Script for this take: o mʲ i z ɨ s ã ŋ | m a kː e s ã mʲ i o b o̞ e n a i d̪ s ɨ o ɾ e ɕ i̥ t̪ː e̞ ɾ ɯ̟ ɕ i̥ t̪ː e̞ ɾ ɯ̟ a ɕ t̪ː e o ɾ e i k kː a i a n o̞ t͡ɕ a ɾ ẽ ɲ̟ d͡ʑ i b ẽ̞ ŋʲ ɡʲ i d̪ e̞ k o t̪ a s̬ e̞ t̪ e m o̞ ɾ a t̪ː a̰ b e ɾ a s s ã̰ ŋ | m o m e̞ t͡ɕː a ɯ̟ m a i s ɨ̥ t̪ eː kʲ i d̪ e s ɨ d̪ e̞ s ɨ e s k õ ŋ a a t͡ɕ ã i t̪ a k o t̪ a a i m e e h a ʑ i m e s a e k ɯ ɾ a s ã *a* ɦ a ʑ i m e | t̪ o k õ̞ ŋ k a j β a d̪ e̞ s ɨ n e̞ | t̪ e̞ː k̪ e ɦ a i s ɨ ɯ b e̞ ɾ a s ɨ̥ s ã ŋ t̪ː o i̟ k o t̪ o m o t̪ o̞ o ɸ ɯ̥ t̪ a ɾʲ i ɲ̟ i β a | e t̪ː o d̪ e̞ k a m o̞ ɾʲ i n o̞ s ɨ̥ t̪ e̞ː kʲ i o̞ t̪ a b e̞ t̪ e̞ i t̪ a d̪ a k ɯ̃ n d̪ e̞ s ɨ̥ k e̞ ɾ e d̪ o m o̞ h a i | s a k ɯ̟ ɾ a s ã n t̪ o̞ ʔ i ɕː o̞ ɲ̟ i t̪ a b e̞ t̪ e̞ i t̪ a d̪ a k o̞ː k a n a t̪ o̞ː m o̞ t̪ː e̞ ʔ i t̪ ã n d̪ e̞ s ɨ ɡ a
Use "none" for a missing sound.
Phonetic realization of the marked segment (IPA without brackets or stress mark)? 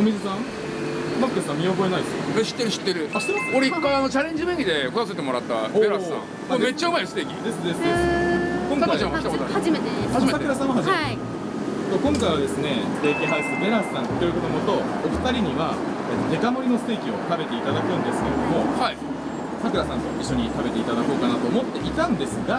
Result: a